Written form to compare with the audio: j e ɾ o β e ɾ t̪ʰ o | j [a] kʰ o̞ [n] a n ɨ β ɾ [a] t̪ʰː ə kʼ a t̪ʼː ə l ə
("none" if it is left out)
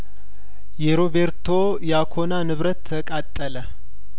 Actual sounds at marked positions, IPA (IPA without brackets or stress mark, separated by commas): a, n, ə